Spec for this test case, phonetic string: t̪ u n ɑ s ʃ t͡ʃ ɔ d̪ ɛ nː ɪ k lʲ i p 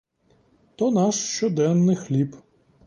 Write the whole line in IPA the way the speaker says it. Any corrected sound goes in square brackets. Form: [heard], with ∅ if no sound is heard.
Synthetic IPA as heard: t̪ [ɔ] n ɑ [ʃ] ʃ t͡ʃ ɔ d̪ ɛ nː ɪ [x] lʲ i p